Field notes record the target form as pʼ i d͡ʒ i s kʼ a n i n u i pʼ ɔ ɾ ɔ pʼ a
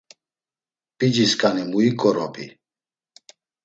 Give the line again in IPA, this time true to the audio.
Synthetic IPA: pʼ i d͡ʒ i s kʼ a n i m u i kʼ ɔ ɾ ɔ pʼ i